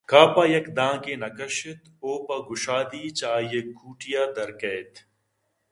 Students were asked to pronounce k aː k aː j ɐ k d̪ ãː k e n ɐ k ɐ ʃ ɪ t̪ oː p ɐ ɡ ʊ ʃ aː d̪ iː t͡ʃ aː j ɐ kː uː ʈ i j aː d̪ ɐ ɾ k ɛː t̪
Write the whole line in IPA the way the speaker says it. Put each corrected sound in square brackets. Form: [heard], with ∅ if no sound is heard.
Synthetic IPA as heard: k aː [p] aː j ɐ k d̪ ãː k e n ɐ k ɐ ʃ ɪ t̪ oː p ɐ ɡ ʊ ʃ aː d̪ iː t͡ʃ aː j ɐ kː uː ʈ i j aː d̪ ɐ ɾ k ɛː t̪